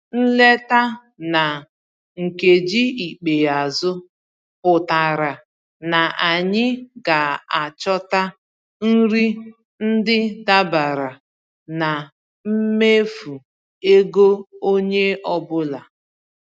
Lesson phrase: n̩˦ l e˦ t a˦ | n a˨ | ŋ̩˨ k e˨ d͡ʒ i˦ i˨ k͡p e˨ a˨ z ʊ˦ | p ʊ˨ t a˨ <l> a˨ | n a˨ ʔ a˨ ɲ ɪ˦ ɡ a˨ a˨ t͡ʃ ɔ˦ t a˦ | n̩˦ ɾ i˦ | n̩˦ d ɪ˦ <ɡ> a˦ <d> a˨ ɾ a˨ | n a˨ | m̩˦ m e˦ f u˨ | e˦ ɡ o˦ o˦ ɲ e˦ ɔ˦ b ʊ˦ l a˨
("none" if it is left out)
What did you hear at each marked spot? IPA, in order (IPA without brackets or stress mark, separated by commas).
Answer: ɾ, d, b